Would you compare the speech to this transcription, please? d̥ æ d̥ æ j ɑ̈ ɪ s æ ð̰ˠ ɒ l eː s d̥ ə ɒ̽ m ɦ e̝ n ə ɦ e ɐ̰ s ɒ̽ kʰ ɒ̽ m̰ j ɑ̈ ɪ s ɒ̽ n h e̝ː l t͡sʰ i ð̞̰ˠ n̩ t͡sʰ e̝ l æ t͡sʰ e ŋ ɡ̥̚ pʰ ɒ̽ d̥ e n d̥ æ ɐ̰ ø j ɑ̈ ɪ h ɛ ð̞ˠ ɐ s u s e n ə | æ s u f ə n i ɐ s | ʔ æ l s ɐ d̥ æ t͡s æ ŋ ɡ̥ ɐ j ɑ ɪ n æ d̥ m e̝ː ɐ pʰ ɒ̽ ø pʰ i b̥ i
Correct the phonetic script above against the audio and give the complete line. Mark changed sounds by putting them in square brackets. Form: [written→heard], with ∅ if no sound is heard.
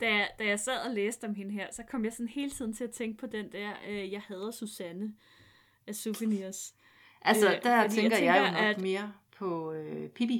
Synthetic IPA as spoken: d̥ æ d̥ æ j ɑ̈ ɪ s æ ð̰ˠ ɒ l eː s d̥ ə ɒ̽ m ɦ e̝ n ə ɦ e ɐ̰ s ɒ̽ kʰ ɒ̽ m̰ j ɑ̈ ɪ s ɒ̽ n h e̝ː l t͡sʰ i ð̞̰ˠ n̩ t͡sʰ e̝ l æ t͡sʰ e ŋ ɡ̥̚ pʰ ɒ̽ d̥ e n d̥ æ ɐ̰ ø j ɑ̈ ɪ h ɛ ð̞ˠ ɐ s u s [e→æ] n ə | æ s u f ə n i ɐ s | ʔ æ l s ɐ d̥ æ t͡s [æ→e] ŋ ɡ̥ ɐ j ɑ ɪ n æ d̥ m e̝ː ɐ pʰ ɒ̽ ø pʰ i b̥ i